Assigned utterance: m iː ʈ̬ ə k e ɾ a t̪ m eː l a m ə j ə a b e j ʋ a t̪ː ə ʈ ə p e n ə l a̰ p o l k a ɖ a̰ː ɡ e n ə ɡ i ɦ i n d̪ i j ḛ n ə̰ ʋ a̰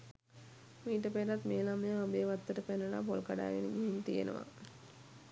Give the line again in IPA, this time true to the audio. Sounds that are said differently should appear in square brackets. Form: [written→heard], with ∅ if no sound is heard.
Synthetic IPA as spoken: m iː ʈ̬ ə [k→p] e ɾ a t̪ m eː l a m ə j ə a b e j ʋ a t̪ː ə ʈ ə p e n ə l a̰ p o l k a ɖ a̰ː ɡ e n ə ɡ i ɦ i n [d̪→t̪] i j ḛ n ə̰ ʋ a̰